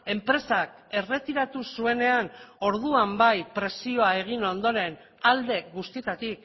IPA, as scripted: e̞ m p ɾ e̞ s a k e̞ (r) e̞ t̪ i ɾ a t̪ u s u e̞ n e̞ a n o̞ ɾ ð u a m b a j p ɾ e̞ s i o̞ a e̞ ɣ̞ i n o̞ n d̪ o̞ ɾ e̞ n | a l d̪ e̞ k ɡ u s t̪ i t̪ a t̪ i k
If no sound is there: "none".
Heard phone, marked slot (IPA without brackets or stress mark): r